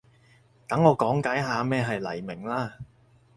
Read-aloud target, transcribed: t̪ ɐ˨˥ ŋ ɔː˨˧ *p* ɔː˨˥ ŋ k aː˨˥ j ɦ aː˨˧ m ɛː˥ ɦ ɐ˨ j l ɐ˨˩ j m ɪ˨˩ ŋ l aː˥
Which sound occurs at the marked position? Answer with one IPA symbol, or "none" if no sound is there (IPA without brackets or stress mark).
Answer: k